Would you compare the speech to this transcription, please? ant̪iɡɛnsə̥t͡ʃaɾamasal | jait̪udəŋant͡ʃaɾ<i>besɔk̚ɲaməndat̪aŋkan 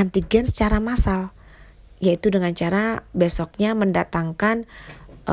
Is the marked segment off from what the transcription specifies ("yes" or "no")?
yes